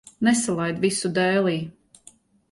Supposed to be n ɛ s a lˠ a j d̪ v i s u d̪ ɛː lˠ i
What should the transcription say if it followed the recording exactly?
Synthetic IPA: n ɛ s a lˠ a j d̪ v i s u d̪ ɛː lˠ iː